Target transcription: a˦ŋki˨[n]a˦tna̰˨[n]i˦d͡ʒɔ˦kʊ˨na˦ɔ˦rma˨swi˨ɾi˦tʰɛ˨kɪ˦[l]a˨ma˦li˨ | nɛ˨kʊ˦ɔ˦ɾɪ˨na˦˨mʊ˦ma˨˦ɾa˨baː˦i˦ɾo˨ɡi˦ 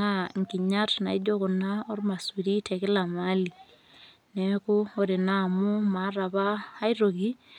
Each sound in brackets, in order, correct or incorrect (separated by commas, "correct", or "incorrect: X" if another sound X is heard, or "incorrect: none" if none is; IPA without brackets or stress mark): incorrect: ɲ, incorrect: none, correct